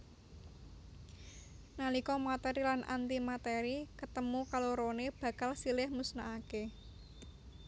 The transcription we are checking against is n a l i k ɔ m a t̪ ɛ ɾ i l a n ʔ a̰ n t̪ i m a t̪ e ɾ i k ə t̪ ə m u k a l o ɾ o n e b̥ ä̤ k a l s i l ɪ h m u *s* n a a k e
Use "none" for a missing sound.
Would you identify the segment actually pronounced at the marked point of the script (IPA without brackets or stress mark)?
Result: s